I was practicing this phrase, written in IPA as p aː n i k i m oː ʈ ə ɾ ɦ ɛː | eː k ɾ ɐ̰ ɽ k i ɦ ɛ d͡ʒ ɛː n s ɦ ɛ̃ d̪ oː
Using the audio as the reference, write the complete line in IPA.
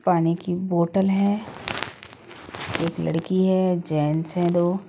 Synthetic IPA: p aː n i k i b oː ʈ ə l ɦ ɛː | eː k l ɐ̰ ɽ k i ɦ ɛ d͡ʒ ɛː n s ɦ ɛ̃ d̪ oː

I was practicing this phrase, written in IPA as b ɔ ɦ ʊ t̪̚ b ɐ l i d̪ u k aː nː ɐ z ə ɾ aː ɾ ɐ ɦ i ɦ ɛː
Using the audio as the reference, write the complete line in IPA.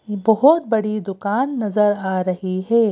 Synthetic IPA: b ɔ ɦ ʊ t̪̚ b ɐ ɽ i d̪ ʊ k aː nː ɐ z ə ɾ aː ɾ ɐ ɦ i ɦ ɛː

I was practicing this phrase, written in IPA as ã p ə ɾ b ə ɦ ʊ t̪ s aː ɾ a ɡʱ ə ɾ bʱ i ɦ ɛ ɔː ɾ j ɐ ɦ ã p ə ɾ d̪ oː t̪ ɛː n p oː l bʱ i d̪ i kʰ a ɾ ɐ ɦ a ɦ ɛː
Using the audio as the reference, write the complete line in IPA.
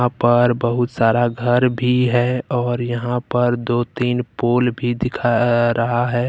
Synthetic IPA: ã p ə ɾ b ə ɦ ʊ t̪ s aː ɾ a ɡʱ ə ɾ bʱ i ɦ ɛ ɔː ɾ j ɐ ɦ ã p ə ɾ d̪ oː t̪ iː n p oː l bʱ i d̪ ɪ kʰ a ɾ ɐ ɦ a ɦ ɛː

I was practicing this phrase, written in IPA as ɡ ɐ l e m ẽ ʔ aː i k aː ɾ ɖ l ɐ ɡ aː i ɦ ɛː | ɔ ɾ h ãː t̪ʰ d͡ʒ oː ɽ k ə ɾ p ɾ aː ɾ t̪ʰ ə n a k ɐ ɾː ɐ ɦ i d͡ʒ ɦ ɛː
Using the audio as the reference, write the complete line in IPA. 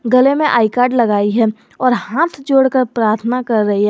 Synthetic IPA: ɡ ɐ l e m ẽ ʔ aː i k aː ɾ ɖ l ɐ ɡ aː i ɦ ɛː | ɔː ɾ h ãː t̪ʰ d͡ʒ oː ɽ k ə ɾ p ɾ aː ɾ t̪ʰ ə n a k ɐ ɾː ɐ ɦ i ɦ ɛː

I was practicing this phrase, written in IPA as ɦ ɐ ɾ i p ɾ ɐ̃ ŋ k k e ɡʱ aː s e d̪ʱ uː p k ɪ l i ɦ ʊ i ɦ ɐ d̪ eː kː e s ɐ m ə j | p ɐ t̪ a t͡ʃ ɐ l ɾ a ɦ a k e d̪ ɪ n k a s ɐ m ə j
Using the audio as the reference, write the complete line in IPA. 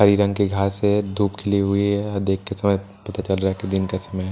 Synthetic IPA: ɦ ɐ ɾ i ɾ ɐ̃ ŋ ɡ k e ɡʱ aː s e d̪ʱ uː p kʰ ɪ l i ɦ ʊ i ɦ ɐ d̪ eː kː e s ɐ m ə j | p ɐ t̪ a t͡ʃ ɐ l ɾ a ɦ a k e d̪ ɪ n k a s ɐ m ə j

